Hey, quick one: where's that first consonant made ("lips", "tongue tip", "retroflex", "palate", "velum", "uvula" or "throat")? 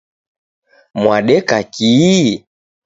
lips